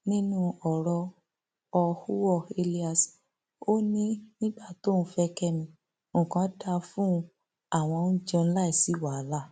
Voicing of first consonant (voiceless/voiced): voiced